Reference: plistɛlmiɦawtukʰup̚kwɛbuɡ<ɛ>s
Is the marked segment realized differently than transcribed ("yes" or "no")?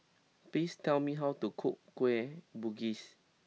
yes